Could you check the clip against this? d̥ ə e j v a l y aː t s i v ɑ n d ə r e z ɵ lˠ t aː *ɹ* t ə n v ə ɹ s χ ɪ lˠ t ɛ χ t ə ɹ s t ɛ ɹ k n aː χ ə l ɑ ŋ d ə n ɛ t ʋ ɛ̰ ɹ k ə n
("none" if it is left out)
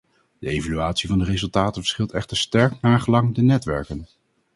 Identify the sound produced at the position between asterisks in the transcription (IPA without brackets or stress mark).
none